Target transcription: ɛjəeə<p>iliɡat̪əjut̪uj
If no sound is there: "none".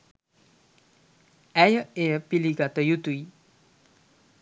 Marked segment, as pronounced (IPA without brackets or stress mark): p